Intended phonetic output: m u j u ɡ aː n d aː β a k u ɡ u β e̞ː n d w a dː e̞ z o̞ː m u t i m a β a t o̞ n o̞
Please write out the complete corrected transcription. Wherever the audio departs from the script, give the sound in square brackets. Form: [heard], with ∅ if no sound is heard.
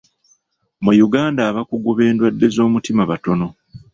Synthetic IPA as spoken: m u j u ɡ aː n d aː β a k u ɡ u β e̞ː n d w a dː e̞ z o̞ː m u t i m a β a t o̞ n o̞